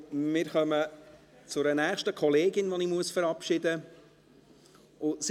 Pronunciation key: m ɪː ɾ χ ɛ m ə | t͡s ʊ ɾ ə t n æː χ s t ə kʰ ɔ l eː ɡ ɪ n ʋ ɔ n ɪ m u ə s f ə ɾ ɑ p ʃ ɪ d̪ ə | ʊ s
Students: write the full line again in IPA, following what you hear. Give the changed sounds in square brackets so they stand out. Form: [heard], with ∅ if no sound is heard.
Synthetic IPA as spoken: m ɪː ɾ χ [œ] m ə | t͡s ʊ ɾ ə [∅] n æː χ [ʃ] t ə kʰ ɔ l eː ɡ ɪ n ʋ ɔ n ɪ m u ə s f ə ɾ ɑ p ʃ ɪ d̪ ə | ʊ s